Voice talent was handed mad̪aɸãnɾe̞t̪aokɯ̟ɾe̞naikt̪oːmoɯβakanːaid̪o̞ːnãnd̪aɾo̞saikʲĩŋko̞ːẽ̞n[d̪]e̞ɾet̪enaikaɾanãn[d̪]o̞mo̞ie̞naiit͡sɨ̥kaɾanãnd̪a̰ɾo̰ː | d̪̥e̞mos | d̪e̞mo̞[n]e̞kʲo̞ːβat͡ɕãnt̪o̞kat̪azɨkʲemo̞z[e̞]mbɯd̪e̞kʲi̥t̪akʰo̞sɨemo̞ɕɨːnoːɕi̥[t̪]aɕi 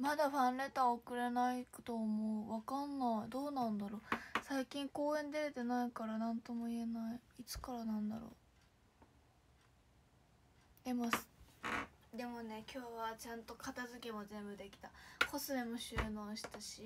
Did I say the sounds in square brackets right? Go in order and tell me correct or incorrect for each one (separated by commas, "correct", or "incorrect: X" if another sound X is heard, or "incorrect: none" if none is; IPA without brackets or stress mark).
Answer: correct, incorrect: t̪, correct, incorrect: ẽ̞, correct